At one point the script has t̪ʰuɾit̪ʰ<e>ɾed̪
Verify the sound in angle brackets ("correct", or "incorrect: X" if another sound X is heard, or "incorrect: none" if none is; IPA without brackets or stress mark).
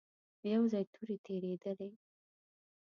correct